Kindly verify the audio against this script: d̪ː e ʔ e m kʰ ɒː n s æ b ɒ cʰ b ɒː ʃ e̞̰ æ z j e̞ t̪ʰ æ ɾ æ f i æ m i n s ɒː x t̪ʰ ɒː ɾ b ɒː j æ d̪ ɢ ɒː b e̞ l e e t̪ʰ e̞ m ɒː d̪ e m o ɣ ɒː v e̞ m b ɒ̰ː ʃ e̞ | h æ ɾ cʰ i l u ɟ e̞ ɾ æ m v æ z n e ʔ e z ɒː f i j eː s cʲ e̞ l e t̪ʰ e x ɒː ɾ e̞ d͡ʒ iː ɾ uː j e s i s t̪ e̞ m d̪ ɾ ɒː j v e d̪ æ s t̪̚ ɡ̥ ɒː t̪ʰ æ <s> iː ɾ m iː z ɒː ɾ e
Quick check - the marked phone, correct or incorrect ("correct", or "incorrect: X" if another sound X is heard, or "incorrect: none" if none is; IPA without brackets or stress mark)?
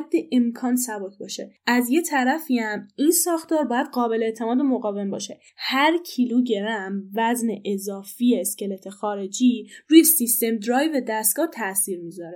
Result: correct